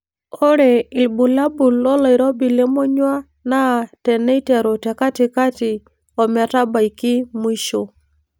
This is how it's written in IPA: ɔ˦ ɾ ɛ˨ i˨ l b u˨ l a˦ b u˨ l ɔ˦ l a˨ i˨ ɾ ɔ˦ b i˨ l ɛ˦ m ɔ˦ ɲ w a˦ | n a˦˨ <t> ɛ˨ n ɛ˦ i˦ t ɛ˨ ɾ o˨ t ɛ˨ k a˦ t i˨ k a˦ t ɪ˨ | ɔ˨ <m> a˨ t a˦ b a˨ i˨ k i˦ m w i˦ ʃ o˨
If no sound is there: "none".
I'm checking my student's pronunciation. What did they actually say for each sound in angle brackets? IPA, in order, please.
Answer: t, m

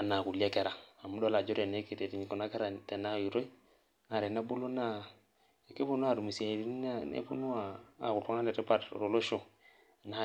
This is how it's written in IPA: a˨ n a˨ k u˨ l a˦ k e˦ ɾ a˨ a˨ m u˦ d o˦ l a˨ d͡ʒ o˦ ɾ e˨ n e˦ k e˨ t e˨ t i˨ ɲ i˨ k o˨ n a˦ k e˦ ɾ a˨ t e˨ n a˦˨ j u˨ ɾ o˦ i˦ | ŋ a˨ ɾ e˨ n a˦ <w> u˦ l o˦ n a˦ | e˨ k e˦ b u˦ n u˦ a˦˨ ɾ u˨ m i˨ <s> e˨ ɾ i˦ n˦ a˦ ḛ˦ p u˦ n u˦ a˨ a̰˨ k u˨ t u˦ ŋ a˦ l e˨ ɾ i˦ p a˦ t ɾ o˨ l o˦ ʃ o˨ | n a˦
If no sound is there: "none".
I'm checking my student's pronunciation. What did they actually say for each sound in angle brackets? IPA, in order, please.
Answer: b, s

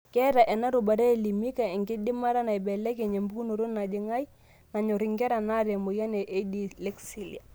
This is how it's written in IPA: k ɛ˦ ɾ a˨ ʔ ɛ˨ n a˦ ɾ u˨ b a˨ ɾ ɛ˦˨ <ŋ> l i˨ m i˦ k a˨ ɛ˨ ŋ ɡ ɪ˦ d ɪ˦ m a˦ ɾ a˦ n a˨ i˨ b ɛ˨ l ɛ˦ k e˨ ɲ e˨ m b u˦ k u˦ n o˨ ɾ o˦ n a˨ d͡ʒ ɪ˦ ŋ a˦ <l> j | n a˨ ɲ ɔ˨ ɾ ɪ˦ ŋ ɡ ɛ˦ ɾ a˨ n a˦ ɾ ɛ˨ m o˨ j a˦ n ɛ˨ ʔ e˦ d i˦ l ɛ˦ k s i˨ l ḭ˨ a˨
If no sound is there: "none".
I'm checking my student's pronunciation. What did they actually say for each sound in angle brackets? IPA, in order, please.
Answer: none, none

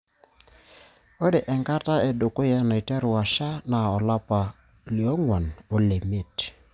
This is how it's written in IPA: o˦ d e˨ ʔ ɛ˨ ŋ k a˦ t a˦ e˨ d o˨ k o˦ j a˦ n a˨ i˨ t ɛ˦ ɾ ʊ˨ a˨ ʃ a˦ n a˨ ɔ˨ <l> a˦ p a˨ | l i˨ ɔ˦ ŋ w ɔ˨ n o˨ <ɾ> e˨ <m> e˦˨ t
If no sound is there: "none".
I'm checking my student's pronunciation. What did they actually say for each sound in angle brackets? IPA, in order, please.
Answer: l, l, m

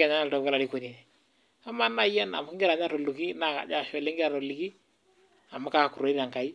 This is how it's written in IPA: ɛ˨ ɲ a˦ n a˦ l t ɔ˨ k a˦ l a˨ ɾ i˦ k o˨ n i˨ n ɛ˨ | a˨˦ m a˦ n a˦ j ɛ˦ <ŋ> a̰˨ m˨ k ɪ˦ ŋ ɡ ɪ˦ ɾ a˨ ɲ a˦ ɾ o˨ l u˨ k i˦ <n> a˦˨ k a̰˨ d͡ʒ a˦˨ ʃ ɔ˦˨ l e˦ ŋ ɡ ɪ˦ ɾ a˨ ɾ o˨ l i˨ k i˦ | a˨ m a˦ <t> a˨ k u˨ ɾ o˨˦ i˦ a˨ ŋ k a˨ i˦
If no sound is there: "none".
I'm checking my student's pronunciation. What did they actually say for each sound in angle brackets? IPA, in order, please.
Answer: n, n, k

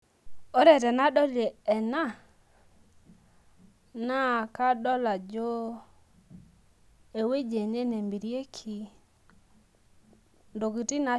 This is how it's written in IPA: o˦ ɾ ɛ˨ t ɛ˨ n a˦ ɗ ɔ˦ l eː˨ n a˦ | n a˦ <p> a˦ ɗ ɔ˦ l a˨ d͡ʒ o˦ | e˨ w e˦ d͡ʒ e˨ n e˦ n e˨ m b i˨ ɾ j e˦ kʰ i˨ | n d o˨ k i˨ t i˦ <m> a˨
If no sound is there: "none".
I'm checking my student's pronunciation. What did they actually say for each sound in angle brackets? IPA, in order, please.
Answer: k, n

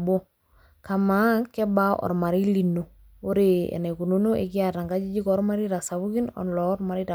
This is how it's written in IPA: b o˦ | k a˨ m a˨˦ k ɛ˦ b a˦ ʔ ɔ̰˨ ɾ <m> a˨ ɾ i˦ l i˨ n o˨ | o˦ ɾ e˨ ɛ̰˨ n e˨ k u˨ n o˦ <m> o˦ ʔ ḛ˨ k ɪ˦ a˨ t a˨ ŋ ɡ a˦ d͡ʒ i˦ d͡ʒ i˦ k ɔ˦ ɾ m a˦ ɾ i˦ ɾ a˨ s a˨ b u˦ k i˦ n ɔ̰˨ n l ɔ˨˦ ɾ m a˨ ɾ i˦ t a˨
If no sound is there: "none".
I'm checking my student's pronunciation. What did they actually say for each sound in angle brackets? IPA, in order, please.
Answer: m, n

